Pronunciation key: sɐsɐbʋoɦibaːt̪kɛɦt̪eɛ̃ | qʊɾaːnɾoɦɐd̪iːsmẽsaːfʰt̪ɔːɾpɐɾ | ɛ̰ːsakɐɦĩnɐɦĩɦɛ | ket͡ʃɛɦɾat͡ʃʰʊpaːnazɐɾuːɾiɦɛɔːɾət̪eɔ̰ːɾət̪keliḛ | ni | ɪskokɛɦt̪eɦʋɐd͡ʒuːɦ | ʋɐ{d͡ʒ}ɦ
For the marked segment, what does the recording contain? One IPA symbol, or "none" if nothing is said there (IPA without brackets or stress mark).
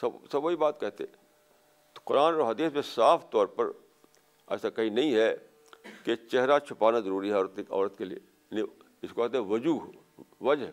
d͡ʒ